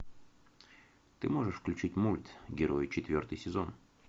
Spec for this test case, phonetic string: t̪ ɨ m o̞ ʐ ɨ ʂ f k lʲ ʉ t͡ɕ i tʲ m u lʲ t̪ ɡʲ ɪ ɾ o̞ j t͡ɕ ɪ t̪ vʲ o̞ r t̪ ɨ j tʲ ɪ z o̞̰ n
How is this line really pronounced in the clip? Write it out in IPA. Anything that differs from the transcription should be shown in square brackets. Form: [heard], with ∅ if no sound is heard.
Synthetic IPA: t̪ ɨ m o̞ ʐ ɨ ʂ f k lʲ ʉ t͡ɕ i tʲ m u lʲ t̪ ɡʲ ɪ ɾ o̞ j t͡ɕ ɪ t̪ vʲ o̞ r t̪ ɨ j [sʲ] ɪ z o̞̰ n